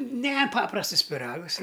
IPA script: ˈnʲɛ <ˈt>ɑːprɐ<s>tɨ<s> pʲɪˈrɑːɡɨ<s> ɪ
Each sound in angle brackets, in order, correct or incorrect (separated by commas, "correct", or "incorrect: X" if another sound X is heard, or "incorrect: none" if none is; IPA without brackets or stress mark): incorrect: p, correct, correct, correct